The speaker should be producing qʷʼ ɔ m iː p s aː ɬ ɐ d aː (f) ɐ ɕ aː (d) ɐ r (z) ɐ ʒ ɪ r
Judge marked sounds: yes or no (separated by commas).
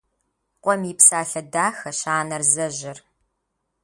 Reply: no, no, yes